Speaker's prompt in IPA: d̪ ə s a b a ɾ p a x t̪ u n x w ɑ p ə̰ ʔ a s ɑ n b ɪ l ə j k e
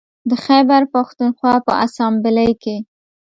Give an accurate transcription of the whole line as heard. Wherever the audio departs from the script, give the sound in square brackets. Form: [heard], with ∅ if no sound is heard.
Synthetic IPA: d̪ ə [x] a b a ɾ p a x t̪ u n x w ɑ p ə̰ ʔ a s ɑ [m] b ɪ l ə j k e

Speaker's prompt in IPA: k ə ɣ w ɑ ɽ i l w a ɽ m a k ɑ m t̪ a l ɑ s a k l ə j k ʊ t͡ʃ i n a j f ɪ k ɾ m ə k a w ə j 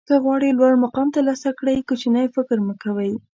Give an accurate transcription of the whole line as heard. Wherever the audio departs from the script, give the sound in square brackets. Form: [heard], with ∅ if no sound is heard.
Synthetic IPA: k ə ɣ w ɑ ɽ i l w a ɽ m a [q] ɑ m t̪ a l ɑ s a k [ɽ] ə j k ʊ t͡ʃ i n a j f ɪ k ɾ m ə k a w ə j

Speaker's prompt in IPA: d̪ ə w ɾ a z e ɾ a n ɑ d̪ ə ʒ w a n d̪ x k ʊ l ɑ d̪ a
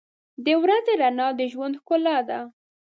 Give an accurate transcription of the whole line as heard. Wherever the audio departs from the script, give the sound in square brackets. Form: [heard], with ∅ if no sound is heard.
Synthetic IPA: d̪ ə w ɾ a z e ɾ a n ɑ d̪ ə ʒ w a n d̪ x k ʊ l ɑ d̪ a

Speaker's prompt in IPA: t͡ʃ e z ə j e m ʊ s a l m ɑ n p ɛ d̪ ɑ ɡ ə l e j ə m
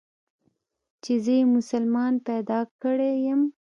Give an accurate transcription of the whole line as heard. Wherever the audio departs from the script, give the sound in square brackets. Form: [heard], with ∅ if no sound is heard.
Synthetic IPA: t͡ʃ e z ə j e m ʊ s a l m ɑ n p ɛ d̪ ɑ [k] ə [ɽ] e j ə m

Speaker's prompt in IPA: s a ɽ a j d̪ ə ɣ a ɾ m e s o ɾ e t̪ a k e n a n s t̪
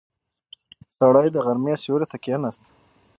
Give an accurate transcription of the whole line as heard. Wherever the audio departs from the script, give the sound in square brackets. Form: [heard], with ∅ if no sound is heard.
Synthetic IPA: s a ɽ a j d̪ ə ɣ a ɾ m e s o ɾ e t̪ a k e n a [∅] s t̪

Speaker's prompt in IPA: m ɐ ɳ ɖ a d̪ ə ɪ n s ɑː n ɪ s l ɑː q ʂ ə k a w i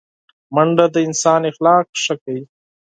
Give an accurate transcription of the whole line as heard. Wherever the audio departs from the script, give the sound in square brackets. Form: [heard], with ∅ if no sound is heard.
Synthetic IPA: m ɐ ɳ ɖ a d̪ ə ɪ n s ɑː n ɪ [x] l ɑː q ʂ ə k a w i

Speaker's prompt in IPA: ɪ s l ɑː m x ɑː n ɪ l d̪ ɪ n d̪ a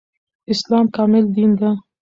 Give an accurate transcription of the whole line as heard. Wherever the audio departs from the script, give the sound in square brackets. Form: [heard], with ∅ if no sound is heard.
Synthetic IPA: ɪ s l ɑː m [k] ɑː [m] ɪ l d̪ [i] n d̪ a

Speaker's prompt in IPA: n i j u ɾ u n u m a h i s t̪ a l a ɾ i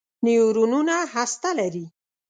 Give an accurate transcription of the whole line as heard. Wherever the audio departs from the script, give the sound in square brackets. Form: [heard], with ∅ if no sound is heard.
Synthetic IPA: n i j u ɾ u n u [n] a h [a] s t̪ a l a ɾ i

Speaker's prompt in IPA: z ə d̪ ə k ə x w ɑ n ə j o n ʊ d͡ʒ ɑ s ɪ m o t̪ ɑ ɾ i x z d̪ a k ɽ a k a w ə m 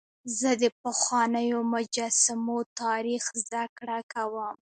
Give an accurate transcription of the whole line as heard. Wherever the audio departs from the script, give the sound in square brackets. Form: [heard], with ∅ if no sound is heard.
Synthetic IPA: z ə d̪ ə [p] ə x w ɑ n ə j o [m] ʊ d͡ʒ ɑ s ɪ m o t̪ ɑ ɾ i x z d̪ a k ɽ a k a w ə m

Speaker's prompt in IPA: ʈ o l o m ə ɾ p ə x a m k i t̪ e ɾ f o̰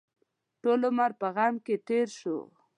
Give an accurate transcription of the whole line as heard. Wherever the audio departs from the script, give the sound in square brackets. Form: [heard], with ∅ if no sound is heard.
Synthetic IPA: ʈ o l o m [a] ɾ p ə [ɣ] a m k [e] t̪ e ɾ [ʃ] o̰

